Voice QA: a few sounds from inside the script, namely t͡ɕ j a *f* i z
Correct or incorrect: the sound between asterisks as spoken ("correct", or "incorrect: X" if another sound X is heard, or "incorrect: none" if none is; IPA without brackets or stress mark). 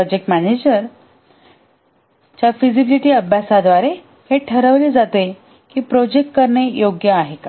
correct